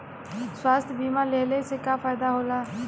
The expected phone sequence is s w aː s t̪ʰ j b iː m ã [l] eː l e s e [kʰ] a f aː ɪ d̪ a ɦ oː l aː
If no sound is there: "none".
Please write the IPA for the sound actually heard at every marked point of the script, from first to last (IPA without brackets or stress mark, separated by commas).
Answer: l, k